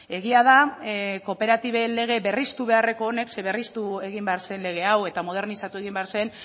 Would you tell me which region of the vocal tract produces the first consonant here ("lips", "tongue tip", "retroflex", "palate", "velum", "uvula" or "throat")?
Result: velum